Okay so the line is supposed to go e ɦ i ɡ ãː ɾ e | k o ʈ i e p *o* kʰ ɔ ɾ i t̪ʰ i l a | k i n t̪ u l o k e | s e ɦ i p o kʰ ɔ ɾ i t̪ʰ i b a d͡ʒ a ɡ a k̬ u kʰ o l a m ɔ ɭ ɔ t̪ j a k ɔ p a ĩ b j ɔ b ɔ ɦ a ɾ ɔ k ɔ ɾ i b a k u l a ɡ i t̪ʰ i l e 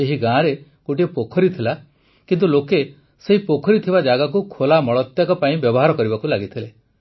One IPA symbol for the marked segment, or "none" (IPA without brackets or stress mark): o